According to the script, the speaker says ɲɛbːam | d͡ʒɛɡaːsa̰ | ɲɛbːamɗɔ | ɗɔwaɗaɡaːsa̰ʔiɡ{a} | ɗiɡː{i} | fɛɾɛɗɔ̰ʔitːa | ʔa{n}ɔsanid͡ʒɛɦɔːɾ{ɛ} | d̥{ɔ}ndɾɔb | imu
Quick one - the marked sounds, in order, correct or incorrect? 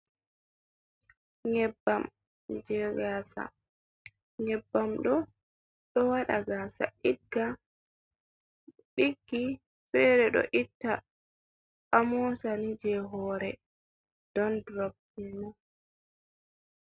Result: correct, correct, incorrect, correct, correct

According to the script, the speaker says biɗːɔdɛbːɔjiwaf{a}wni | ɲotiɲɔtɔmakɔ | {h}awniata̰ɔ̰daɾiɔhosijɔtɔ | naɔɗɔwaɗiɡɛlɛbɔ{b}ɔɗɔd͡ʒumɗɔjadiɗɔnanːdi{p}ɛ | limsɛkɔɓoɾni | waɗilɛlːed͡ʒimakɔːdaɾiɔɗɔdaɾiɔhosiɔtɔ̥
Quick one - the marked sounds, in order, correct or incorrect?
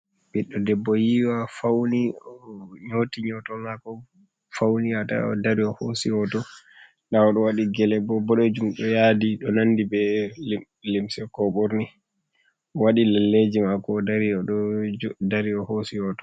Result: correct, incorrect, correct, incorrect

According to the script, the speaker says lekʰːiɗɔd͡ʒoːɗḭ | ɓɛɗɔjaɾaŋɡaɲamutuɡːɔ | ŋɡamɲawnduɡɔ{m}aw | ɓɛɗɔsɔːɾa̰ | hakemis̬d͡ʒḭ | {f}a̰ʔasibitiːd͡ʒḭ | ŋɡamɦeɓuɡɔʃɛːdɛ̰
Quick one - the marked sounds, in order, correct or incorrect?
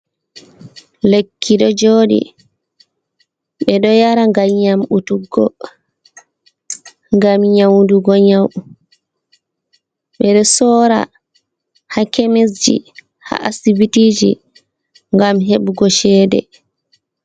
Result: incorrect, incorrect

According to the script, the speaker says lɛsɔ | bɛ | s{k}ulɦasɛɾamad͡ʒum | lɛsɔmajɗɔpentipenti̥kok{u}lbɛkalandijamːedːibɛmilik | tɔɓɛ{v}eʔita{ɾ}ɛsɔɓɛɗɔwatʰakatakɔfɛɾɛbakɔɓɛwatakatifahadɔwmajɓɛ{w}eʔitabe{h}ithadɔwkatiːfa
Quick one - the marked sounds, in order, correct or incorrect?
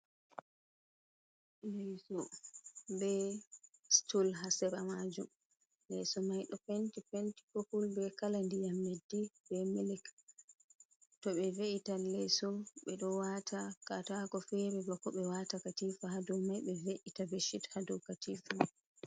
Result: incorrect, correct, correct, incorrect, incorrect, incorrect

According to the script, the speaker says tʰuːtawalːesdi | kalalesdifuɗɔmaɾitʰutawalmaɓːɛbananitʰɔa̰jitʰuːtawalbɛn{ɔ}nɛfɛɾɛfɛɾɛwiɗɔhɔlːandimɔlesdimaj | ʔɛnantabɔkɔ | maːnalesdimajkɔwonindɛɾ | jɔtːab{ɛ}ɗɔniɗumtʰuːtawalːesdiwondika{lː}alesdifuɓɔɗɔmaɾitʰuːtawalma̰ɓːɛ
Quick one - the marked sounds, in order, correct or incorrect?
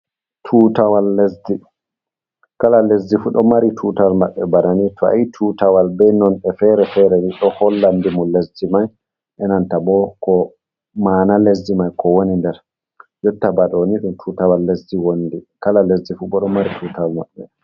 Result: correct, incorrect, incorrect

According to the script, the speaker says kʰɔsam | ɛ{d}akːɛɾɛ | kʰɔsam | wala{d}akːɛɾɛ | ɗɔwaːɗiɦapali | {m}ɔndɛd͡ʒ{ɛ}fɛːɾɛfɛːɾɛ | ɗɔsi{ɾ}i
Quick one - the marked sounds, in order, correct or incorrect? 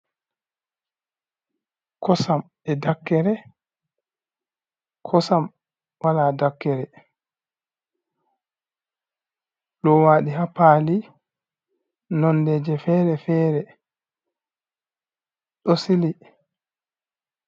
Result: correct, correct, incorrect, correct, incorrect

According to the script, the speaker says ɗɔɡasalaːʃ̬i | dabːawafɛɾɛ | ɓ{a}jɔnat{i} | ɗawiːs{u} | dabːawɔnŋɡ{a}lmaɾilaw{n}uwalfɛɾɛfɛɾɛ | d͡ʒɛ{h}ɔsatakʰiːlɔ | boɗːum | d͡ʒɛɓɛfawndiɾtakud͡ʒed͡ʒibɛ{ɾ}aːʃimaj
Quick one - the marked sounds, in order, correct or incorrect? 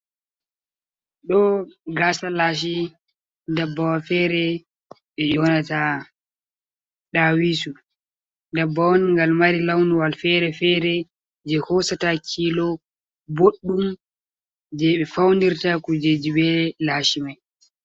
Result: incorrect, incorrect, correct, correct, correct, correct, incorrect

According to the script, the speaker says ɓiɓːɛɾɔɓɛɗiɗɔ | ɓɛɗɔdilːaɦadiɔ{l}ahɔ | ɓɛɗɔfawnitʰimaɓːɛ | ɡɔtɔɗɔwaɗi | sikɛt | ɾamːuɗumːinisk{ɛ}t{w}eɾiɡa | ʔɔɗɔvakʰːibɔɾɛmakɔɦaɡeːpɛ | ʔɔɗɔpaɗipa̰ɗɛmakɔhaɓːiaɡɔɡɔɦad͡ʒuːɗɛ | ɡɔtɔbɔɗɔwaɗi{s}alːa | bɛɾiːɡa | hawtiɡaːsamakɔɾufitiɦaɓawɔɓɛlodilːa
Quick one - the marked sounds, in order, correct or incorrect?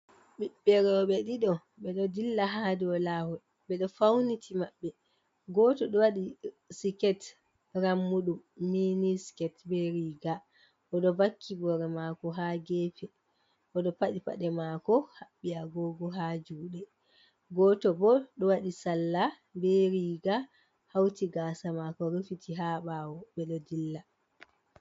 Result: correct, correct, incorrect, correct

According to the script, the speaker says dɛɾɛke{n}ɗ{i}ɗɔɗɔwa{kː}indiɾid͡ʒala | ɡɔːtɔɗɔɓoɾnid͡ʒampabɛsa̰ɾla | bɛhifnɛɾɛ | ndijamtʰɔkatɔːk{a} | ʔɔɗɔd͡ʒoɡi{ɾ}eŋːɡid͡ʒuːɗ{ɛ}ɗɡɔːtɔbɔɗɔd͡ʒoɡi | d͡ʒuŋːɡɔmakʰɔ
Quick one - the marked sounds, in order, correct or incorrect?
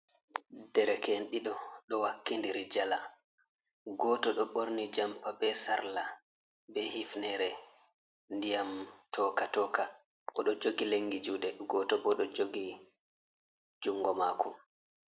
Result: correct, correct, correct, correct, incorrect, correct

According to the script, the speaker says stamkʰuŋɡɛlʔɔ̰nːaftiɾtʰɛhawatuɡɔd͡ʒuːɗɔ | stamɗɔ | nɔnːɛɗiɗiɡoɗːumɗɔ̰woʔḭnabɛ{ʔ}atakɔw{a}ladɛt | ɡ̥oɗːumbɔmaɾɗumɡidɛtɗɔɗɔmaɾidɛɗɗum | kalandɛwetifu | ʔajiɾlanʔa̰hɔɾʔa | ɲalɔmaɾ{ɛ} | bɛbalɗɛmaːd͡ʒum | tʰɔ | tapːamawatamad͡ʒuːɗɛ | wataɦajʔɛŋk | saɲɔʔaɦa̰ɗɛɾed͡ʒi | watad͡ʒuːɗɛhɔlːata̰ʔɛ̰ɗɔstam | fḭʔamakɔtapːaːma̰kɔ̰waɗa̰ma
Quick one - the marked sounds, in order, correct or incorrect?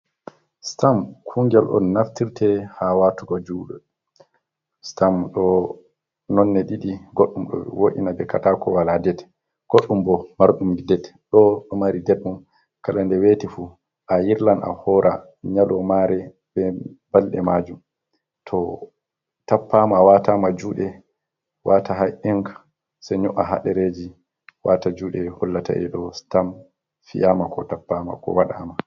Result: incorrect, correct, correct

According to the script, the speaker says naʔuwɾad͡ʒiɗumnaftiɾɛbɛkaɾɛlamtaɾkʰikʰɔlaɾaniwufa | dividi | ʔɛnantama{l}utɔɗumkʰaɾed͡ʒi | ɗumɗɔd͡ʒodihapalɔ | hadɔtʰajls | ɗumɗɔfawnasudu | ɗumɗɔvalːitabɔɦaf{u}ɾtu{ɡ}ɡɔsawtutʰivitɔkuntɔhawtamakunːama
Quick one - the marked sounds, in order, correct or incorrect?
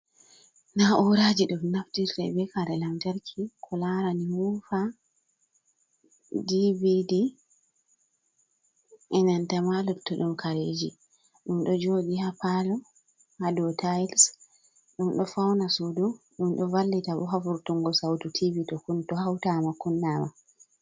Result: correct, correct, incorrect

